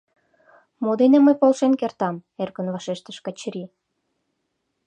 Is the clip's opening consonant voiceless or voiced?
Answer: voiced